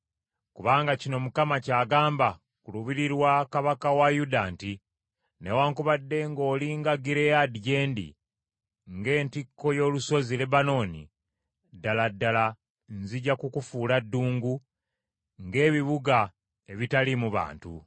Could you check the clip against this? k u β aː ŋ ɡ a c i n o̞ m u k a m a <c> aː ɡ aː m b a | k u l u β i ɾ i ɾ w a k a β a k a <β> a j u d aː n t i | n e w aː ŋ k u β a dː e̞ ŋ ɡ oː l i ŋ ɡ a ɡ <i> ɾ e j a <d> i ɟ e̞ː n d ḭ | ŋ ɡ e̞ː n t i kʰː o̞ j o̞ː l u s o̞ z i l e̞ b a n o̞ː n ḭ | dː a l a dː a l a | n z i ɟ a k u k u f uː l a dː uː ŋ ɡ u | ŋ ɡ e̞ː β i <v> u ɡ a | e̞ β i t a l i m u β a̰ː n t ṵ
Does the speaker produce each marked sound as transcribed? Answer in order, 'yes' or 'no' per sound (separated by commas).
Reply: yes, no, yes, yes, no